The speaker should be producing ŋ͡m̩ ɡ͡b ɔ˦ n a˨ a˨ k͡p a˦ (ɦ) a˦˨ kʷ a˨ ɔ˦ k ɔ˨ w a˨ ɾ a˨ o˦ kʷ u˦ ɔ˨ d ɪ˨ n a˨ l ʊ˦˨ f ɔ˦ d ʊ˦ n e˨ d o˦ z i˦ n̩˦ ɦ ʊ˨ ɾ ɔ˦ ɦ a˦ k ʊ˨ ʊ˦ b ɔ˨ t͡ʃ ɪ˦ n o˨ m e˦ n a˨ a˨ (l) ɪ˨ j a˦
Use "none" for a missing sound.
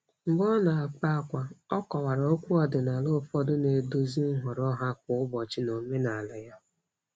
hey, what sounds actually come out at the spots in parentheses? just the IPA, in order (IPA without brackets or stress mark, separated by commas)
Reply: none, l